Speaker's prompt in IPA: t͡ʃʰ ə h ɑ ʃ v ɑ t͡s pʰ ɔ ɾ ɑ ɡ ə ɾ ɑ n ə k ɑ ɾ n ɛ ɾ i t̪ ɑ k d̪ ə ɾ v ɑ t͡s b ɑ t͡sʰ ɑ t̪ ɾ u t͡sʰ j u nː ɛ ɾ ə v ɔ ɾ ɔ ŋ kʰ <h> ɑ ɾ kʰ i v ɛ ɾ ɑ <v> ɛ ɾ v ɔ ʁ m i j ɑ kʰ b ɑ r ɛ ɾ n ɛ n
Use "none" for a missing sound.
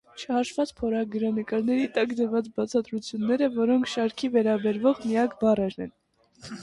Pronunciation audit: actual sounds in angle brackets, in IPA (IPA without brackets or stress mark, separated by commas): ʃ, b